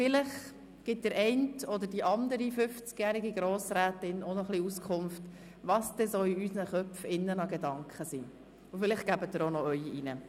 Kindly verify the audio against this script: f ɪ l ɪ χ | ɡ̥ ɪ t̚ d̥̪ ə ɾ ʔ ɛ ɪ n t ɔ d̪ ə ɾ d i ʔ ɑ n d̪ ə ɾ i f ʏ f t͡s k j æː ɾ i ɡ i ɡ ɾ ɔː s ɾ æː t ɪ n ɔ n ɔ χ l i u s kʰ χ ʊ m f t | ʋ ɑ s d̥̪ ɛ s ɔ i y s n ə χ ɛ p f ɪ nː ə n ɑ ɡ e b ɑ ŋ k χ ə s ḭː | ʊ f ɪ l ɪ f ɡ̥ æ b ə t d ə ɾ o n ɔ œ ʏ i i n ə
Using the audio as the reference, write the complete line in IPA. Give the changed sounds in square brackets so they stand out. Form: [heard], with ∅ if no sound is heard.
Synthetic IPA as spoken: f ɪ l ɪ χ | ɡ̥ ɪ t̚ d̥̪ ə ɾ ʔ ɛ ɪ n t ɔ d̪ ə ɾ d i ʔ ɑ n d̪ ə ɾ i f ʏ f t͡s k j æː ɾ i ɡ i ɡ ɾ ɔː s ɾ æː t ɪ n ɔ n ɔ χ l i u s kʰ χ ʊ m f t | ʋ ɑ s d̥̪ ɛ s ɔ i y s n ə χ [œ] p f ɪ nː ə n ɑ ɡ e [d] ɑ ŋ k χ ə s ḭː | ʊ f ɪ l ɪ [χ] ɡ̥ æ b ə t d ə ɾ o n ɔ œ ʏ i i n ə